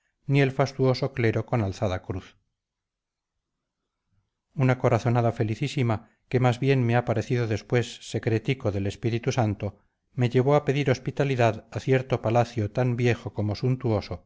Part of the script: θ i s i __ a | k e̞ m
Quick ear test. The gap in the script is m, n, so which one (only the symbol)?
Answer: m